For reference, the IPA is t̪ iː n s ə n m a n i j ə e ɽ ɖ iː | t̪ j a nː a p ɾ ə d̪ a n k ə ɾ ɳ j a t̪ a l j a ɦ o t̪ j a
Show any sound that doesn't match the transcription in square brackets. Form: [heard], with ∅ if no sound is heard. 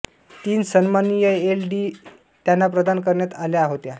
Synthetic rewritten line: t̪ iː n s ə n m a n i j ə e [l] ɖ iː | t̪ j a nː a p ɾ ə d̪ a n k ə ɾ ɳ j a t̪ a l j a ɦ o t̪ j a